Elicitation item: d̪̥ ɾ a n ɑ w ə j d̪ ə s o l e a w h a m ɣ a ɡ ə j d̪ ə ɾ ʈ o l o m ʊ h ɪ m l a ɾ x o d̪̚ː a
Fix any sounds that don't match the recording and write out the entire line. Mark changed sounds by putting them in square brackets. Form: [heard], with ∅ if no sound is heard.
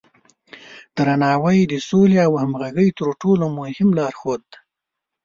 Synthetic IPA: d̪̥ ɾ a n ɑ w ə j d̪ ə s o l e a w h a m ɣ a ɡ ə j [t̪] ə ɾ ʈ o l o m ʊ h ɪ m l [ɑ] ɾ x o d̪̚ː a